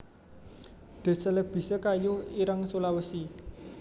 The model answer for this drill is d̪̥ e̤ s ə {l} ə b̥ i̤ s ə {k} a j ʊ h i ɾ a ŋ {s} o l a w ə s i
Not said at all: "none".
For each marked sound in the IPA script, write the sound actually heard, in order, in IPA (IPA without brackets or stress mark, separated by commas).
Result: l, k, s